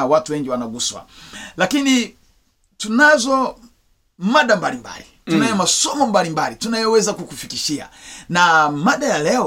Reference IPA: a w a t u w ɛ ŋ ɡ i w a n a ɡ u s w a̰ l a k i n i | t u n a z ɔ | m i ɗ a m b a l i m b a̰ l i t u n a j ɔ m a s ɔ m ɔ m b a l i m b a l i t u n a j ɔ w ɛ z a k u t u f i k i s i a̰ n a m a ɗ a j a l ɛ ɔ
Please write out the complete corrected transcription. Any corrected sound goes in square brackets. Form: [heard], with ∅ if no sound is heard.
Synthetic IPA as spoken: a w a t u w ɛ ŋ ɡ i w a n a ɡ u s w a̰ l a k i n i | t u n a z ɔ | m [a] ɗ a m b a l i m b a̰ l i t u n a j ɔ m a s ɔ m ɔ m b a l i m b a l i t u n a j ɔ w ɛ z a k u [k] u f i k i [ʃ] i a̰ n a m a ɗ a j a l ɛ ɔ